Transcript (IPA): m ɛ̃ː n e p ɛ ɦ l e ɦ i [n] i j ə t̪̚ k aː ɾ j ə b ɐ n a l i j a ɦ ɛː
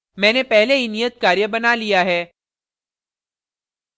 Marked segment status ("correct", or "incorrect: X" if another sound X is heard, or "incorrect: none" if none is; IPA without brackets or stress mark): correct